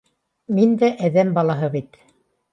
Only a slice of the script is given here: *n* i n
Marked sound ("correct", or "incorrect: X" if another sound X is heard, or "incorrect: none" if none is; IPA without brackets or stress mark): incorrect: m